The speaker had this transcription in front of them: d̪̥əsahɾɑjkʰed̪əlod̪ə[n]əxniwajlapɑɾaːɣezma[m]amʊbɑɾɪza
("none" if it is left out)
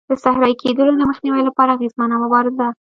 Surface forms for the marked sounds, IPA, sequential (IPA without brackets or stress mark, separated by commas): m, n